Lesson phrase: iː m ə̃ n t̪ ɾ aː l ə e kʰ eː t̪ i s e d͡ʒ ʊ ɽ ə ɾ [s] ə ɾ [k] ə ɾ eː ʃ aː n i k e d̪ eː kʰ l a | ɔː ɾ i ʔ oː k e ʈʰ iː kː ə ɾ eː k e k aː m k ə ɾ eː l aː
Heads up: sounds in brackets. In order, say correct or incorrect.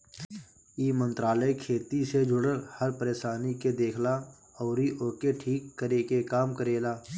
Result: incorrect: h, incorrect: p

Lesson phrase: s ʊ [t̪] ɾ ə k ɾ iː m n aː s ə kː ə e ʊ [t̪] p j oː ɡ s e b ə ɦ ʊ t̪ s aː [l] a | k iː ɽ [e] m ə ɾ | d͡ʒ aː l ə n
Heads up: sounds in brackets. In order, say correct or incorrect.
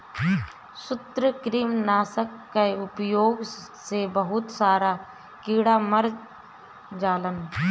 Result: correct, incorrect: none, incorrect: ɾ, incorrect: a

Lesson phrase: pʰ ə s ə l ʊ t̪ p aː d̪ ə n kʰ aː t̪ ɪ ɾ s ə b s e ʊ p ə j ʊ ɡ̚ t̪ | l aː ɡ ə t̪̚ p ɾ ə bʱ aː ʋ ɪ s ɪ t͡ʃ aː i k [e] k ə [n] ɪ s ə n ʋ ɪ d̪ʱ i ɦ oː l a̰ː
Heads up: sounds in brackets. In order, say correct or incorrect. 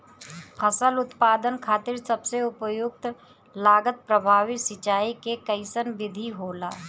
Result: correct, incorrect: none

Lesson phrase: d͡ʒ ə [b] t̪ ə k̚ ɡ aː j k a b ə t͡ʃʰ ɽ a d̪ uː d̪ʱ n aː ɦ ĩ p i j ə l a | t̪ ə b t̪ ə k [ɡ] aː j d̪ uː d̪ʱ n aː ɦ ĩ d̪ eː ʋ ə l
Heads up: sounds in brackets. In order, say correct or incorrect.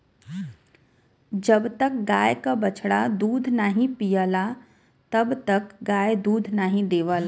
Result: correct, correct

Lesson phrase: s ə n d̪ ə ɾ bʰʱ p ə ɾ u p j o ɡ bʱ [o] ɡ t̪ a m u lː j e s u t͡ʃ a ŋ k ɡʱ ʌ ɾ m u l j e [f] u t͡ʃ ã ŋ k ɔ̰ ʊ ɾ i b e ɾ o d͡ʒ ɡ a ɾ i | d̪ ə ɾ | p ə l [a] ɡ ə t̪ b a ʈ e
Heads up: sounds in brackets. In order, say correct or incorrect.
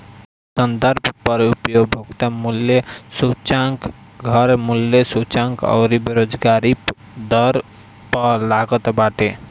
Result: correct, incorrect: s, correct

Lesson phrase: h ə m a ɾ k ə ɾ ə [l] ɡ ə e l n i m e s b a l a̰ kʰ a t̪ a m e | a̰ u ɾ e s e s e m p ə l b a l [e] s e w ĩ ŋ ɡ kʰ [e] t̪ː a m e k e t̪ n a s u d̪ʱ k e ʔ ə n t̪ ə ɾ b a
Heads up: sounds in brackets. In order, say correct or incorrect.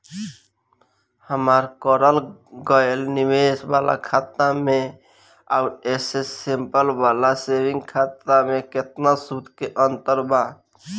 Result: correct, incorrect: a, incorrect: a

